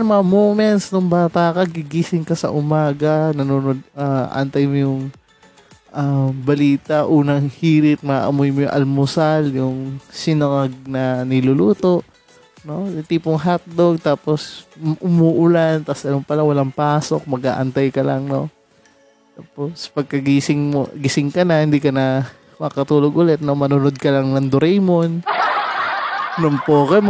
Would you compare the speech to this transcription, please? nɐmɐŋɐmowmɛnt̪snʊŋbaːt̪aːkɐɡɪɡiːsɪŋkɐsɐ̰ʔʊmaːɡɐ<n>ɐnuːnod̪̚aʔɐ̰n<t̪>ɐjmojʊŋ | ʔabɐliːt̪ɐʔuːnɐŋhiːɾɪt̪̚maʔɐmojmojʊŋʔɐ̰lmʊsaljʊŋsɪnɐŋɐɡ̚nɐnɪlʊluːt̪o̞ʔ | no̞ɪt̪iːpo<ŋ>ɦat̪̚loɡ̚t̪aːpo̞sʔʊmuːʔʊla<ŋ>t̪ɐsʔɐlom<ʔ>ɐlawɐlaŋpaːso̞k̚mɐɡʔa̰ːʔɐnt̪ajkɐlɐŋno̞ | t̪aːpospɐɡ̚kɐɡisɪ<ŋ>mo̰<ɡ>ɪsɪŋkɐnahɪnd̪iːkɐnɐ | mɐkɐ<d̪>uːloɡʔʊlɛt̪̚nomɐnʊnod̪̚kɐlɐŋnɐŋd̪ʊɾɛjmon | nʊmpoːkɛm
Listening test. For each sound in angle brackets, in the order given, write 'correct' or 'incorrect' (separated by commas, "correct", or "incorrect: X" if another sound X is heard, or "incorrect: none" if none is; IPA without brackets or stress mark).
correct, correct, correct, incorrect: n, incorrect: p, correct, correct, incorrect: t̪